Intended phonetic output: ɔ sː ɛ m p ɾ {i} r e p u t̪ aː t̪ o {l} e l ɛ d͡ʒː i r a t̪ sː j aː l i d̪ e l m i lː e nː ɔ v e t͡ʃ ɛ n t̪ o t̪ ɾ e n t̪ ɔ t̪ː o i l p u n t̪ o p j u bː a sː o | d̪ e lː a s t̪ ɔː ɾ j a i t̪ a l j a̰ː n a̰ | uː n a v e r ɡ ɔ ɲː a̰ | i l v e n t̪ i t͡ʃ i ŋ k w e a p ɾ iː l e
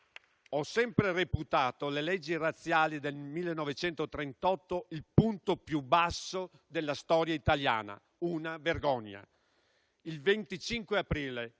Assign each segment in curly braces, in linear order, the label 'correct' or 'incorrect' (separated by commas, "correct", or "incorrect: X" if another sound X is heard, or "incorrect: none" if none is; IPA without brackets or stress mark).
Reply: incorrect: e, correct